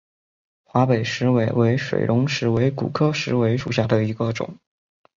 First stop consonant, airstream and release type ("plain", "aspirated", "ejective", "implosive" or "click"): plain